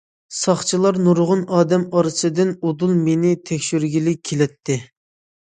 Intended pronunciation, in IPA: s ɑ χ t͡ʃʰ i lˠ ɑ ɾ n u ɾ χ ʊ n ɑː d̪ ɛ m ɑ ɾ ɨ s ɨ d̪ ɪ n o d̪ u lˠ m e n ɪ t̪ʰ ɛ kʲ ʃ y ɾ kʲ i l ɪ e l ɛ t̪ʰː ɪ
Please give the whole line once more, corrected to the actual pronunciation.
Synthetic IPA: s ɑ χ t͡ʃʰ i lˠ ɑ ɾ n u ɾ ʁ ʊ n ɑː d̪ ɛ m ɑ ɾ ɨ s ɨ d̪ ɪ n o d̪ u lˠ m e n ɪ t̪ʰ ɛ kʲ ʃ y ɾ ɡʲ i l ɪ e l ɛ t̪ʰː ɪ